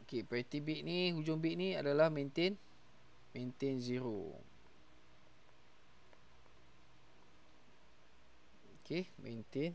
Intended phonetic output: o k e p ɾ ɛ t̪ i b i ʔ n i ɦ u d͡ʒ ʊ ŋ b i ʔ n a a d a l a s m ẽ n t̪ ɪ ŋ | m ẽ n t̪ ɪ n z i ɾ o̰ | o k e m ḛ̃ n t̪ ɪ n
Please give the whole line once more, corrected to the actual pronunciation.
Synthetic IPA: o k e p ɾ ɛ t̪ i b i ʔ n i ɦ u d͡ʒ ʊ ŋ b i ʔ n i a d a l a h m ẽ n t̪ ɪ n | m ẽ n t̪ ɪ n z i ɾ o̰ | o k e m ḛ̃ n t̪ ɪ n